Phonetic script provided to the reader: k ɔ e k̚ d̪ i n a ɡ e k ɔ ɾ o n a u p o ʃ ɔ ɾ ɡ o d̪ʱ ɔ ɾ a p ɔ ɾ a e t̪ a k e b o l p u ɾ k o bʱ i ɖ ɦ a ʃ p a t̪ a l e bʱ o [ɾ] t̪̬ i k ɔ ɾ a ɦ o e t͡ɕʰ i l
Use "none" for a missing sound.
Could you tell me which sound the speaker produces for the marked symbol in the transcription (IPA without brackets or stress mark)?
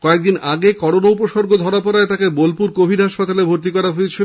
ɾ